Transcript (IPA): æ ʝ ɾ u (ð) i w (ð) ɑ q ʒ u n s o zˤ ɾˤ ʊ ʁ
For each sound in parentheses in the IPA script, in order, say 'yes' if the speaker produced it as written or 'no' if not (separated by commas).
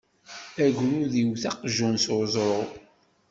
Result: yes, no